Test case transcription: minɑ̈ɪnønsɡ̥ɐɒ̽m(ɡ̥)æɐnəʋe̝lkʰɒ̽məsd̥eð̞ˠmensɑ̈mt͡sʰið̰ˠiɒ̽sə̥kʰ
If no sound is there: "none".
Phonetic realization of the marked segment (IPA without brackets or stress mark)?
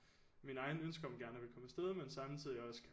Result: ɡ̥